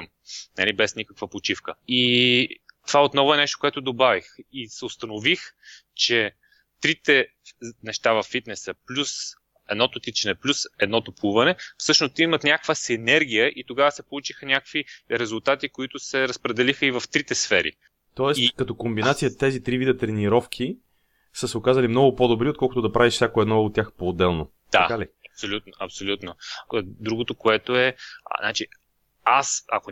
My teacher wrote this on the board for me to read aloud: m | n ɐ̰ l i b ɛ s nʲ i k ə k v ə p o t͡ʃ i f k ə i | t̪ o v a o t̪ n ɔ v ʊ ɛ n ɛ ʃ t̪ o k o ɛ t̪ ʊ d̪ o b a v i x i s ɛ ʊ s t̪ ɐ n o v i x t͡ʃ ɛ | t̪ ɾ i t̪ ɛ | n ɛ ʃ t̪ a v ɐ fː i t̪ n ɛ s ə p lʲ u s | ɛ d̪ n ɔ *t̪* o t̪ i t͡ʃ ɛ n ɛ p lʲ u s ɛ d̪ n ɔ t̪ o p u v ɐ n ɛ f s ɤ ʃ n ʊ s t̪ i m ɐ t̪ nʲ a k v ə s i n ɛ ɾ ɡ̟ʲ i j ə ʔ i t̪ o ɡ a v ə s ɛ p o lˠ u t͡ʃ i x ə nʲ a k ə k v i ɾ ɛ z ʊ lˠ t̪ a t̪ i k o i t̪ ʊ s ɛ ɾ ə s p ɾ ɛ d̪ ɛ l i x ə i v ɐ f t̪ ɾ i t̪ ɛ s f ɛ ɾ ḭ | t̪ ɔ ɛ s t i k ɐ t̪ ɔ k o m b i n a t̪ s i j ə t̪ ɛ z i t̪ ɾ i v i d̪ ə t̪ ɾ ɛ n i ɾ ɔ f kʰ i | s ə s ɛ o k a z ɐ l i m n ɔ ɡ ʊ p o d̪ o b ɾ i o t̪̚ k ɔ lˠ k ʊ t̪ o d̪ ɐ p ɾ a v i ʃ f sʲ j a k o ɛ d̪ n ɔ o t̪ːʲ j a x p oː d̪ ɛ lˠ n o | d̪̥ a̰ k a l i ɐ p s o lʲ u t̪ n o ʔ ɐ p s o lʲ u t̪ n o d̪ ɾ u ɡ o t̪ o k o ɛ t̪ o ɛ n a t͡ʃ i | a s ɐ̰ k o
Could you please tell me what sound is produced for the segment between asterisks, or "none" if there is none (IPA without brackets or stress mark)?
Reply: t̪